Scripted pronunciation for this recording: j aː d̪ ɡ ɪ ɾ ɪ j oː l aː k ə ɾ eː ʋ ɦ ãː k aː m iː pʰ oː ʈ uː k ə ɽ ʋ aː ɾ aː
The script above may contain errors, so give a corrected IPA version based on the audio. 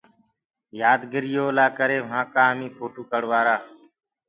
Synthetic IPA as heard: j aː d̪ ɡ ɪ ɾ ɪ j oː l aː k ə ɾ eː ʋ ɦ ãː k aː m iː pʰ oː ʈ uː k ə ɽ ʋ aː ɾ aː